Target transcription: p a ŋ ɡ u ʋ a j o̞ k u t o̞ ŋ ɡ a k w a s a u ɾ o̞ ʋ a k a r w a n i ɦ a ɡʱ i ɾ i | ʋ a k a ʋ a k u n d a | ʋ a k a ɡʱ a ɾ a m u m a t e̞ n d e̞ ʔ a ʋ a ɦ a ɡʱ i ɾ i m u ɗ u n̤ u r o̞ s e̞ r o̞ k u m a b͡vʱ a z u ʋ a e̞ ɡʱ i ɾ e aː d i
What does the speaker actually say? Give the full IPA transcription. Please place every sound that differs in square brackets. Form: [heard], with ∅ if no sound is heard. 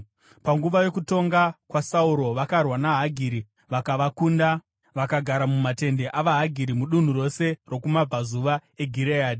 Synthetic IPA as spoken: p a ŋ ɡ u ʋ a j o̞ k u t o̞ ŋ ɡ a k w a s a u ɾ o̞ ʋ a k a r w a n [a] ɦ a ɡʱ i ɾ i | ʋ a k a ʋ a k u n d a | ʋ a k a ɡʱ a ɾ a m u m a t e̞ n d e̞ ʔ a ʋ a ɦ a ɡʱ i ɾ i m u ɗ u n̤ u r o̞ s e̞ r o̞ k u m a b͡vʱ a z u ʋ a e̞ ɡʱ i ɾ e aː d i